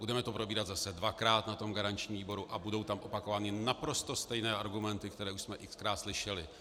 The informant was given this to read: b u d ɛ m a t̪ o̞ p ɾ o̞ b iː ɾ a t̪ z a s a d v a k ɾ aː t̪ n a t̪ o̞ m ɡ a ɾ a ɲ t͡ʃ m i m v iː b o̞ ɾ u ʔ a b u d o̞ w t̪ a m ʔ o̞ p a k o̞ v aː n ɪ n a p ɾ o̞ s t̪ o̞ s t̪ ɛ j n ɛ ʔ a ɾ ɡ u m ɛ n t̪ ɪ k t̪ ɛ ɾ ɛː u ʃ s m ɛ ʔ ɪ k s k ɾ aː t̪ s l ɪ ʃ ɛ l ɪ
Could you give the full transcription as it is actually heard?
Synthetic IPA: b u d ɛ m ɛ t̪ o̞ p ɾ o̞ b iː ɾ a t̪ z a s ɛ d v a k ɾ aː t̪ n a t̪ o̞ m ɡ a ɾ a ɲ t͡ʃ ɲ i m v iː b o̞ ɾ u ʔ a b u d o̞ w t̪ a m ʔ o̞ p a k o̞ v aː n ɪ n a p ɾ o̞ s t̪ o̞ s t̪ ɛ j n ɛː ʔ a ɾ ɡ u m ɛ n t̪ ɪ k t̪ ɛ ɾ ɛː u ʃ s m ɛ ʔ ɪ k s k ɾ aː t̪ s l ɪ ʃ ɛ l ɪ